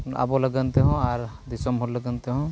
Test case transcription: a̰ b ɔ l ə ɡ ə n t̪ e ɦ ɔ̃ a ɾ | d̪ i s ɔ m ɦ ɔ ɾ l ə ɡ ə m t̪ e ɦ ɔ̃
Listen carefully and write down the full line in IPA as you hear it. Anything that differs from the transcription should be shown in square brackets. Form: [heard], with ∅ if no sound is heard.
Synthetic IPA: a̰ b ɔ l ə ɡ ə n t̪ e ɦ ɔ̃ a ɾ | d̪ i s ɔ m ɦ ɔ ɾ l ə ɡ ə [n] t̪ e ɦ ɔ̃